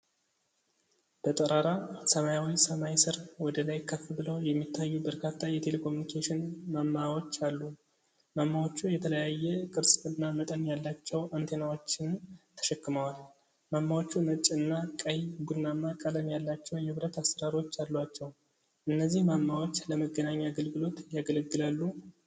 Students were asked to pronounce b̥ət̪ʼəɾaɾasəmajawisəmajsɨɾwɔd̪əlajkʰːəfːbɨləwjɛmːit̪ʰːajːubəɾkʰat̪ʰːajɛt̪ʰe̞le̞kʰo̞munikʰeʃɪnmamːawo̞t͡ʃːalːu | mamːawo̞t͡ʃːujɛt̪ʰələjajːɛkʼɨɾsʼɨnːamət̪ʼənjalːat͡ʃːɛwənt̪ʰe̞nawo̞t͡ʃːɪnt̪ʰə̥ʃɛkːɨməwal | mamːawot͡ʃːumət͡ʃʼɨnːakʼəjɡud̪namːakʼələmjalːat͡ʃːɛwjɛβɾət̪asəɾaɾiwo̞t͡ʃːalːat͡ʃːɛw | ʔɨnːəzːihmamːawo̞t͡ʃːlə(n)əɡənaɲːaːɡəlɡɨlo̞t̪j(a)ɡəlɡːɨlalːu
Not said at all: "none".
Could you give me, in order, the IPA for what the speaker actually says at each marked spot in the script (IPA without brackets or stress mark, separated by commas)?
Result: m, a